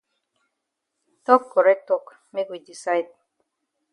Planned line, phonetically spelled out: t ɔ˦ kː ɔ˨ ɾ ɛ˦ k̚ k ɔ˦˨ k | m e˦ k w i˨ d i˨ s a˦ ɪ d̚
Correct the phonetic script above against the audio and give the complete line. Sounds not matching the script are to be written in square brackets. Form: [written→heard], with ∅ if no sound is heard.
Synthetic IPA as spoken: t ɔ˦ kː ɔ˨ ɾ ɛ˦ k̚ [k→t] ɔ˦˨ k | m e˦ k w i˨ d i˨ s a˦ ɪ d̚